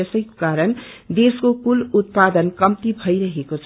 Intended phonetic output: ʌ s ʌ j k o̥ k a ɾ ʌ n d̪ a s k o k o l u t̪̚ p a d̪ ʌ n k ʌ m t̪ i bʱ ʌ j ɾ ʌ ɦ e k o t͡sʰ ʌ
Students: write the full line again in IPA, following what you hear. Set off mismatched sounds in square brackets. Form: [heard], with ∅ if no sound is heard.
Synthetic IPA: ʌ s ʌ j k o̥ k a ɾ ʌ n d̪ [e] s k o k [u] l u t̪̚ p a d̪ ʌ n k ʌ m t̪ i bʱ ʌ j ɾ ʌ ɦ e k o t͡sʰ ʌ

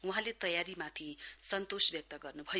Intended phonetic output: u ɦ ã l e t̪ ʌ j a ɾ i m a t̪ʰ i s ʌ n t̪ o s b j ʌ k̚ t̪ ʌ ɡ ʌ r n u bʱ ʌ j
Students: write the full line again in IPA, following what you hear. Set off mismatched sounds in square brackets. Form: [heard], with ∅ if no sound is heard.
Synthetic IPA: u ɦ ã l e t̪ ʌ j a ɾ i m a t̪ʰ i s ʌ n t̪ o s b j ʌ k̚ t̪ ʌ ɡ ʌ r n u bʱ ʌ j

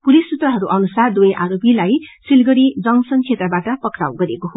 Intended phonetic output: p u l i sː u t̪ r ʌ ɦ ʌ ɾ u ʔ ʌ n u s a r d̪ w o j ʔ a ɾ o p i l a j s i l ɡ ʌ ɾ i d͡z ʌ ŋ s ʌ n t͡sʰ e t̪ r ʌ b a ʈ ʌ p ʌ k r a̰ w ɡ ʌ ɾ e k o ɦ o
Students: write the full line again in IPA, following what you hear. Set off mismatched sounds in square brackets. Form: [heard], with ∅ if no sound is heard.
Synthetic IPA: p u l i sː u t̪ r ʌ ɦ ʌ ɾ u ʔ ʌ n u s a r d̪ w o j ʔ a ɾ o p i l a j s i l ɡ ʌ ɾ i d͡z ʌ ŋ s ʌ n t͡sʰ e t̪ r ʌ b a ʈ ʌ p ʌ k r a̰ w ɡ ʌ ɾ e k o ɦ o

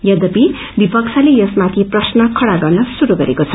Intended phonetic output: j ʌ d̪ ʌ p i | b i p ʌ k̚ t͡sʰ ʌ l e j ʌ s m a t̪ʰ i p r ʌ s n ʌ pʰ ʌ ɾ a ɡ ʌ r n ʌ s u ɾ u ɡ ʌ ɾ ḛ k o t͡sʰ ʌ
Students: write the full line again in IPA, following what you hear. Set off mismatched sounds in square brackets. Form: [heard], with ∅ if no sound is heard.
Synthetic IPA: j ʌ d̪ ʌ p i | b i p ʌ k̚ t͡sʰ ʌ l e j ʌ s m a t̪ʰ i p r ʌ s n ʌ [kʰ] ʌ [ɽ] a ɡ ʌ r n ʌ s u ɾ u ɡ ʌ ɾ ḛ k o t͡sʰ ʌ

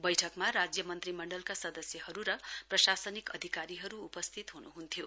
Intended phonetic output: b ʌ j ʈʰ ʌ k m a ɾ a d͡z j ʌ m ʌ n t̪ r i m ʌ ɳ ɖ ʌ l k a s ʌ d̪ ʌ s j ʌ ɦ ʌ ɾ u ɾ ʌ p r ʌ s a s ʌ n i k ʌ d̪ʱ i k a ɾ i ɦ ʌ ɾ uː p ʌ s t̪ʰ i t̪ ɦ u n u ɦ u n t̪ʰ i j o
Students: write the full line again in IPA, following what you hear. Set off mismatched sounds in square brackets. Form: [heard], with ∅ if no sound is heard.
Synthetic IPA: b ʌ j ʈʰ ʌ k m a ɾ a d͡z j ʌ m ʌ n t̪ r i m ʌ ɳ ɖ ʌ l k a s ʌ d̪ ʌ s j ʌ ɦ ʌ ɾ u ɾ ʌ p r ʌ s a s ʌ n i k ʌ d̪ʱ i k a ɾ i ɦ ʌ ɾ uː p ʌ s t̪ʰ i t̪ ɦ u n u ɦ u n t̪ʰ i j o

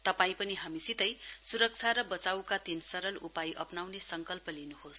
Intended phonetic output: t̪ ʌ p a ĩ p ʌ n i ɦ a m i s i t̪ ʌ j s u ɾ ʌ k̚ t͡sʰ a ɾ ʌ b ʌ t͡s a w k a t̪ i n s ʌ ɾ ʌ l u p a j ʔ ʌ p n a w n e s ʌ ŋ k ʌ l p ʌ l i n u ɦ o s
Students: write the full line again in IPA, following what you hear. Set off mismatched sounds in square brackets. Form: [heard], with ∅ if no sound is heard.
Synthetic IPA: t̪ ʌ p a ĩ p ʌ n i ɦ a m i s i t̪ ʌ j s u ɾ ʌ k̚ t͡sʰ a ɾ ʌ b ʌ t͡s a w k a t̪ i n s ʌ ɾ ʌ l u p a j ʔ ʌ p n a w n e s ʌ ŋ k ʌ l p ʌ l i n u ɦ o s

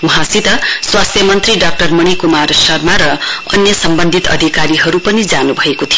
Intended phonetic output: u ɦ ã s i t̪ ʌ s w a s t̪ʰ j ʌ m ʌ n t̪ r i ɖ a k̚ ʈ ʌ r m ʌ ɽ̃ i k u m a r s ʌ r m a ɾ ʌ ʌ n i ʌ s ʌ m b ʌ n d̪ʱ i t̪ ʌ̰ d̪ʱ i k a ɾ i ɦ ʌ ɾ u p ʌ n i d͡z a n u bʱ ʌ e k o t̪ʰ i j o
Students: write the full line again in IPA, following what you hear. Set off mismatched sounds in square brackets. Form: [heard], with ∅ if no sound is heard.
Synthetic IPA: u ɦ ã s i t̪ ʌ s w a s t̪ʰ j ʌ m ʌ n t̪ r i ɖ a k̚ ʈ ʌ r m ʌ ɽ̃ i k u m a r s ʌ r m a ɾ ʌ ʌ n [j] ʌ s ʌ m b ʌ n d̪ʱ i t̪ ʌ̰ d̪ʱ i k a ɾ i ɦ ʌ ɾ u p ʌ n i d͡z a n u bʱ ʌ e k o t̪ʰ i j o

